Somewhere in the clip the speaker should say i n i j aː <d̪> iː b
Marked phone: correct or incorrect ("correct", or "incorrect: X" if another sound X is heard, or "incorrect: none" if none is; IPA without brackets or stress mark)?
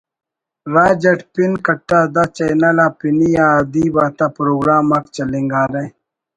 correct